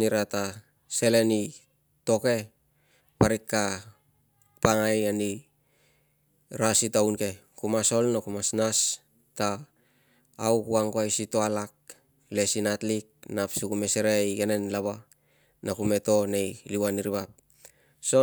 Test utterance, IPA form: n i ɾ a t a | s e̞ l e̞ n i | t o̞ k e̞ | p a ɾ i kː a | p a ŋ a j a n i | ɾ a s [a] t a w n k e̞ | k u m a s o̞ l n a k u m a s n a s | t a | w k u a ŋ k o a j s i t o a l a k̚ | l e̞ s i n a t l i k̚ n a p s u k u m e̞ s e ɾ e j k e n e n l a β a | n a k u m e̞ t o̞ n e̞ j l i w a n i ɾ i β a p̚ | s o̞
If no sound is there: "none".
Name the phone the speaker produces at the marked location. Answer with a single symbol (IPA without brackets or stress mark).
i